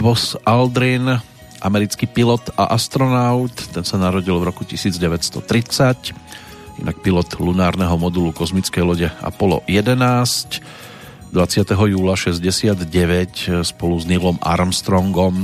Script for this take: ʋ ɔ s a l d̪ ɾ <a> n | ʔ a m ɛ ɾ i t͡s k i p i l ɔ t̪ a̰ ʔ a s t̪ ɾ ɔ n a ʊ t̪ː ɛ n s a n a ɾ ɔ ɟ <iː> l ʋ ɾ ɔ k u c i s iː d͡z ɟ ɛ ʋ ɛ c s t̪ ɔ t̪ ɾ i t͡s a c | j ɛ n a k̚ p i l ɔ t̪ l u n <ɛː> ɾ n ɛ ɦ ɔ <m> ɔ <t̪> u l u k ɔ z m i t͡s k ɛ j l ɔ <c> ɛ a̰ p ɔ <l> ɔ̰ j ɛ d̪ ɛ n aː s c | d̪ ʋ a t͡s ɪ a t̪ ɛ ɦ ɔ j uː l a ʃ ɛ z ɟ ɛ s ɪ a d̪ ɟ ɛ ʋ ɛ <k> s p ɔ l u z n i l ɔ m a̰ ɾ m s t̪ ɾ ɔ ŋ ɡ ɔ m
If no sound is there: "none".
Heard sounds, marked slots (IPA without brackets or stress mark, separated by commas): i, i, aː, m, d̪, ɟ, l, c